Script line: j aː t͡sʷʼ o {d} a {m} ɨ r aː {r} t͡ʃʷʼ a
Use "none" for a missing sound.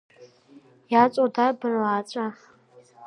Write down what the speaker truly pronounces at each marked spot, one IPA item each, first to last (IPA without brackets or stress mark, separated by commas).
d, b, none